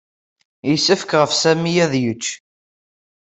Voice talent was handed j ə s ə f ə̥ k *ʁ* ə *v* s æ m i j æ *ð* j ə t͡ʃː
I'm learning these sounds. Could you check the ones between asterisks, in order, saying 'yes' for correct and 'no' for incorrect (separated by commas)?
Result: yes, no, yes